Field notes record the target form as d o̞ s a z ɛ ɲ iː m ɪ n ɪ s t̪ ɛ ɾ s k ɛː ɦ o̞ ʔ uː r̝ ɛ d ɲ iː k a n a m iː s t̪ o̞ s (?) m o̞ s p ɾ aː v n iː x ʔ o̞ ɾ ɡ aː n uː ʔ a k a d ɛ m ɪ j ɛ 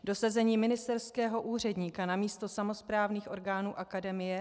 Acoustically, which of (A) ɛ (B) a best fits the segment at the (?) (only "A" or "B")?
B